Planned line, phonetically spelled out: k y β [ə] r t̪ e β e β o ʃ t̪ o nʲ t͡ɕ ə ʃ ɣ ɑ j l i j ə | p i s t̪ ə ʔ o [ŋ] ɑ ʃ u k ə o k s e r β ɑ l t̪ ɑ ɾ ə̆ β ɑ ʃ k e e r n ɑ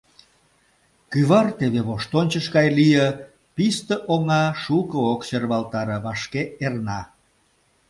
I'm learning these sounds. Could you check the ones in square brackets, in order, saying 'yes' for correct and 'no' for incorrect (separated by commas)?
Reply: no, yes